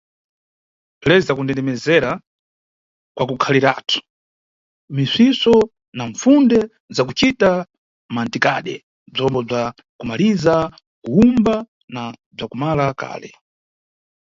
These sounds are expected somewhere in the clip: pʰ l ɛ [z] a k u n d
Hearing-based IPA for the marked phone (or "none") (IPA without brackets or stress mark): z